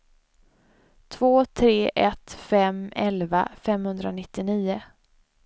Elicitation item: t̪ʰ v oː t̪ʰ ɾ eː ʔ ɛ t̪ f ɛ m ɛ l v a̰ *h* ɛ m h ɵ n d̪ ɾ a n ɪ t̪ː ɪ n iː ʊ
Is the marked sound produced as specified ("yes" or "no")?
no